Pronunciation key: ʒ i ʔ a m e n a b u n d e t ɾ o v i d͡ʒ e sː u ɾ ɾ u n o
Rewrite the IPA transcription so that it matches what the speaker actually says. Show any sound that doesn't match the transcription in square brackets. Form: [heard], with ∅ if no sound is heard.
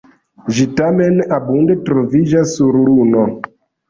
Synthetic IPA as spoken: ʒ i [t] a m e n a b u n d e t ɾ o v i d͡ʒ [a] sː u ɾ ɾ u n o